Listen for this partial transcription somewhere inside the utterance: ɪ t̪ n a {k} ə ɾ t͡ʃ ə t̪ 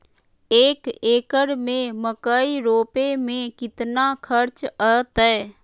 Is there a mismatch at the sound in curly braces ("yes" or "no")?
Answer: yes